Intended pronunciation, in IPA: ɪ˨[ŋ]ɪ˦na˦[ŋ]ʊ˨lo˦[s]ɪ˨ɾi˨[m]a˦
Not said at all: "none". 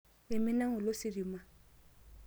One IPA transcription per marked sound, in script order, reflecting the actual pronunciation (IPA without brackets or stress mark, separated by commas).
m, ŋ, s, m